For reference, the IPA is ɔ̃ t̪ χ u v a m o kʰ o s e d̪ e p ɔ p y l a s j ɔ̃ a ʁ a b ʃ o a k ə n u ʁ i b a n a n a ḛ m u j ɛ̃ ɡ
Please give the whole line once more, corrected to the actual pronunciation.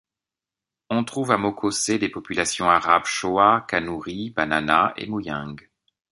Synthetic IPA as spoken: ɔ̃ t̪ χ u v a m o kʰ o s e d̪ e p ɔ p y l a s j ɔ̃ a ʁ a b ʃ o a k a n u ʁ i b a n a n a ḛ m u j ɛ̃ ɡ